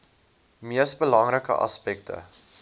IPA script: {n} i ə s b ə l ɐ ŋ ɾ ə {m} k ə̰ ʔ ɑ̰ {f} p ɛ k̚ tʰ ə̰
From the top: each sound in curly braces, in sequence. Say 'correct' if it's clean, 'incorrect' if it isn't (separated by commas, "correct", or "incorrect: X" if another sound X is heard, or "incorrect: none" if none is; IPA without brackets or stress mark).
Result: incorrect: m, incorrect: none, incorrect: s